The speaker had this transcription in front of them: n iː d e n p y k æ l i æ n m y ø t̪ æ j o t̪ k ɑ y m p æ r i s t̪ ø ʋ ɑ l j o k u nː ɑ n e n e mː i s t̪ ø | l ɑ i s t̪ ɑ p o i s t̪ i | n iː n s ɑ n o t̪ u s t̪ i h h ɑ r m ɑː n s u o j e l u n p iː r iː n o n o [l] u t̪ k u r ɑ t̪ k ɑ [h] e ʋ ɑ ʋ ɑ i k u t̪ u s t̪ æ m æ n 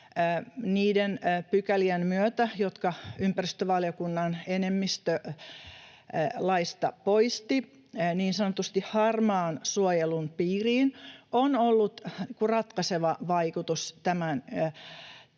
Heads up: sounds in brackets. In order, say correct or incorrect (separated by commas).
incorrect, incorrect